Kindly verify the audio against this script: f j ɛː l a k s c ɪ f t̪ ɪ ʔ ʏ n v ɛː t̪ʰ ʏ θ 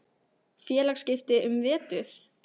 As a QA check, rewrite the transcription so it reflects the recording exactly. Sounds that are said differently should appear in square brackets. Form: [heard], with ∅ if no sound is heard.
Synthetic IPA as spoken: f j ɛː l a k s c ɪ f t̪ ɪ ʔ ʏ [m] v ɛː [t̪] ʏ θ